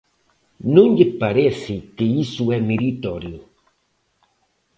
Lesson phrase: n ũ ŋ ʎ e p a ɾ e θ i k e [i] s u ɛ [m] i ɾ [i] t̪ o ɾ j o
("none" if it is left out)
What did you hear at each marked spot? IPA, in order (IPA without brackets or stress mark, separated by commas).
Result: i, m, i